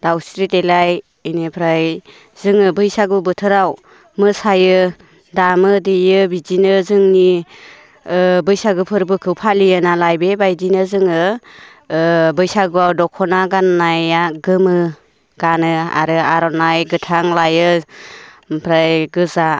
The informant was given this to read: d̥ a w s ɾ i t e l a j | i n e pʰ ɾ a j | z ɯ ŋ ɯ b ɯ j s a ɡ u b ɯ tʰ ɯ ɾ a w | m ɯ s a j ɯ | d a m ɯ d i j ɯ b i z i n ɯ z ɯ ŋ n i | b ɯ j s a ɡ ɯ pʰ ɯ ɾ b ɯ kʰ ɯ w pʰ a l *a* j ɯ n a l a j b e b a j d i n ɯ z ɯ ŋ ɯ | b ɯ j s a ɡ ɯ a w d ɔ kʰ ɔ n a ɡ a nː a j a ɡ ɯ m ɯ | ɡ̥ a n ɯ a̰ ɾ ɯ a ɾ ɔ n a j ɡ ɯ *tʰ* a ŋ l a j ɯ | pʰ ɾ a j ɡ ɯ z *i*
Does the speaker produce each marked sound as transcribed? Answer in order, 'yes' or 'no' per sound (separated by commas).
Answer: no, yes, no